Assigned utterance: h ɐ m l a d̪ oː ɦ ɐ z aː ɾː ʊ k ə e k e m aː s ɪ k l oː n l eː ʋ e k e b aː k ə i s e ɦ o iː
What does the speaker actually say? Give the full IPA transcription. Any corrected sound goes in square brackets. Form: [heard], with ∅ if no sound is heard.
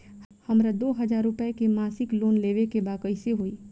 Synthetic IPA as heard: h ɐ m [ɾ] a d̪ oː ɦ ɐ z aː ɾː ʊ [p] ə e k e m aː s ɪ k l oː n l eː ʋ e k e b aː k ə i s e ɦ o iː